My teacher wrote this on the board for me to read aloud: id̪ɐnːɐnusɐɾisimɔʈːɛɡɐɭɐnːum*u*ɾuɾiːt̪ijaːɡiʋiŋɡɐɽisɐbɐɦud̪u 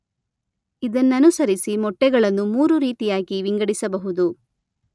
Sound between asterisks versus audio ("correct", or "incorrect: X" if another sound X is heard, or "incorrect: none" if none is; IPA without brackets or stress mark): incorrect: uː